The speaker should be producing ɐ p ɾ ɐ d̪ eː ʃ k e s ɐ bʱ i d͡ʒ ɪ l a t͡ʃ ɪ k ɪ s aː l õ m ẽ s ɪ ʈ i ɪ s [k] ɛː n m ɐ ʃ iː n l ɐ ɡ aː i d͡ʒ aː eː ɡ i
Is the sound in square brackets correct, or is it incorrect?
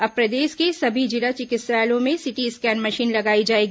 correct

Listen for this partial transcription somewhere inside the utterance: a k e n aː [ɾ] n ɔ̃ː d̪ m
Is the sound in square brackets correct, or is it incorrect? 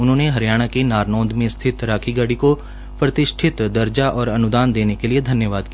correct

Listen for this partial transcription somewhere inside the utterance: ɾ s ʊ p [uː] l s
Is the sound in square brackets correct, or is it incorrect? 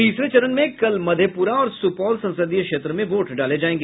incorrect: ɔː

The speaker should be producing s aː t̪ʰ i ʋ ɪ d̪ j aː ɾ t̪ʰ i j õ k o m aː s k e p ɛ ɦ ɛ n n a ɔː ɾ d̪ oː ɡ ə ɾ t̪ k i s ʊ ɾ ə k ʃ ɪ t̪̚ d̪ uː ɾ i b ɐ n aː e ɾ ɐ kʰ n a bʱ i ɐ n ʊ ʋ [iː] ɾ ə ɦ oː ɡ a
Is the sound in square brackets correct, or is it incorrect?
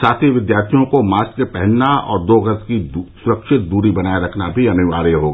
incorrect: aː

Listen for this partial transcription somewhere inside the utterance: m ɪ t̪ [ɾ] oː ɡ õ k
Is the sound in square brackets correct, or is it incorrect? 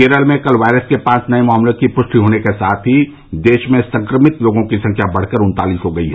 incorrect: l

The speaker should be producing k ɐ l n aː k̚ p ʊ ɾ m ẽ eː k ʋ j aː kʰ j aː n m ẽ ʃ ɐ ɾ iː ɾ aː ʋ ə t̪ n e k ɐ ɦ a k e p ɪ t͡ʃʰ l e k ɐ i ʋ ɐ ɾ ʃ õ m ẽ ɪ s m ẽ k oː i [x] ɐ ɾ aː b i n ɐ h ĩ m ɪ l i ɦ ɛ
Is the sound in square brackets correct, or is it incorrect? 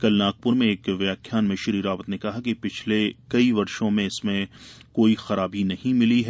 correct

